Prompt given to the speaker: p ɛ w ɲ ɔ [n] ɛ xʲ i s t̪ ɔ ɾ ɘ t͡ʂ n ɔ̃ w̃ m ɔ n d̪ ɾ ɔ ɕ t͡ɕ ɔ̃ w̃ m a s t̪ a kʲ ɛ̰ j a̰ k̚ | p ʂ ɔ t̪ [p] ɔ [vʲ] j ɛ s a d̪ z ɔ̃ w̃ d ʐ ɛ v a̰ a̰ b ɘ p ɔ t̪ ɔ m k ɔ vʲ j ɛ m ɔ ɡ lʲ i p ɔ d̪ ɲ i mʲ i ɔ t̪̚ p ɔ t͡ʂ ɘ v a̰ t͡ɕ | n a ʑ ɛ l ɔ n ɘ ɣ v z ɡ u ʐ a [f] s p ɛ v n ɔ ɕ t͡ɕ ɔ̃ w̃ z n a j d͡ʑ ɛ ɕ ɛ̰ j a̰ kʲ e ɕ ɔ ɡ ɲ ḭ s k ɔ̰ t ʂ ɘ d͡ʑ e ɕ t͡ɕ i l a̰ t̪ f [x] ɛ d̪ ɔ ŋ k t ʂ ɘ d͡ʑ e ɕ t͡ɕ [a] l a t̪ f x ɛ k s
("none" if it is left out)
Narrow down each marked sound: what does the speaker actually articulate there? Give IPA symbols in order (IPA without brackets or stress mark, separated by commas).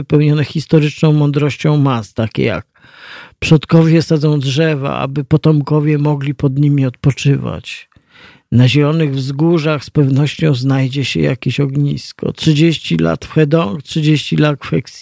n, k, vʲ, x, x, i